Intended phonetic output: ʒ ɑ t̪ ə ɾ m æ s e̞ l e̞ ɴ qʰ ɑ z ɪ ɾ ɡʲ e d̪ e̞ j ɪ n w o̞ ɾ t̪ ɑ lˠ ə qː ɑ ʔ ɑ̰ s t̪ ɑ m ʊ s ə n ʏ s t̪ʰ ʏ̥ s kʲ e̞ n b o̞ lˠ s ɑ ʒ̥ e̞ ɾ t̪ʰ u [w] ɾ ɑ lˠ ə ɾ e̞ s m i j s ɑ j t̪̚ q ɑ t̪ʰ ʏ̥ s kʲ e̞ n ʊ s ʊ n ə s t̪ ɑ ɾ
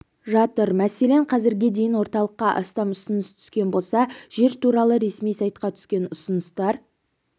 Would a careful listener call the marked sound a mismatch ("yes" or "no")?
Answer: yes